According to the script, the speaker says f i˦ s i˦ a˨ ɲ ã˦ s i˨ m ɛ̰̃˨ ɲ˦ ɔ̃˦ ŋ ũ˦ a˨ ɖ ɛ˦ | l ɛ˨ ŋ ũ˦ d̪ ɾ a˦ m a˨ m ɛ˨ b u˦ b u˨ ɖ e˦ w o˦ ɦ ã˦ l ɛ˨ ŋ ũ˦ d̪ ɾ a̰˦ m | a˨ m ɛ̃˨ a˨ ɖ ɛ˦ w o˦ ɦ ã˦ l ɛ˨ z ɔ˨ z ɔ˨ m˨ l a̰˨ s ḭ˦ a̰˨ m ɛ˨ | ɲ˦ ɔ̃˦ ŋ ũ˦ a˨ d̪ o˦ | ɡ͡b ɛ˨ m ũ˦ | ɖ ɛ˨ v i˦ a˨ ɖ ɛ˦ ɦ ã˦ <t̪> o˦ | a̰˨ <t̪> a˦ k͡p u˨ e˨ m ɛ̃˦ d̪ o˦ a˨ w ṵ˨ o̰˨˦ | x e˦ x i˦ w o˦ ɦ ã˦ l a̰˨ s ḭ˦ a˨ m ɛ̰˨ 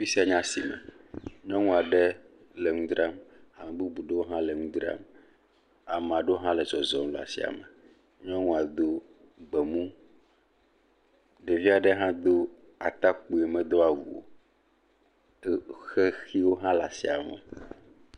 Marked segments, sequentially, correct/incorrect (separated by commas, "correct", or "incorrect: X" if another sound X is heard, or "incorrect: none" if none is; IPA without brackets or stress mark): incorrect: d̪, correct